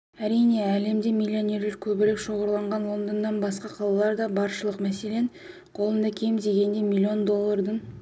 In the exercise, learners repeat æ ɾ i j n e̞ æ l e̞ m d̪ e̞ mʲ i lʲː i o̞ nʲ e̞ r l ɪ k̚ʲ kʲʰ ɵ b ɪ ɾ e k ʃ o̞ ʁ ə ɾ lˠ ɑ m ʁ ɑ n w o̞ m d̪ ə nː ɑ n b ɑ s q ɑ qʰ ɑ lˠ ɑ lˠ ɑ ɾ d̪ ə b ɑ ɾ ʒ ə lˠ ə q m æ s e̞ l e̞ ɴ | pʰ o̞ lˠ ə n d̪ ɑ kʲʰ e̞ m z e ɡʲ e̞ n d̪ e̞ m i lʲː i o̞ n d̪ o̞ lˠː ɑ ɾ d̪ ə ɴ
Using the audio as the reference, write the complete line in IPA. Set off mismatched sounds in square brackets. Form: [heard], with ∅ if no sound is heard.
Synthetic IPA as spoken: æ ɾ i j n e̞ æ l e̞ m d̪ e̞ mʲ i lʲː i o̞ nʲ e̞ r l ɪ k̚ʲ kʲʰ ɵ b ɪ ɾ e k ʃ o̞ ʁ ə ɾ lˠ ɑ [ɴ] ʁ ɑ n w o̞ [n] d̪ ə nː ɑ n b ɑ s q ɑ qʰ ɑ lˠ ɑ lˠ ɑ ɾ d̪ [ɑ] b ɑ ɾ [ʃ] ə lˠ ə q m æ s e̞ l e̞ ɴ | [qʰ] o̞ lˠ ə n d̪ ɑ kʲʰ e̞ m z e ɡʲ e̞ n d̪ e̞ m i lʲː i o̞ n d̪ o̞ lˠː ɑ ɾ d̪ ə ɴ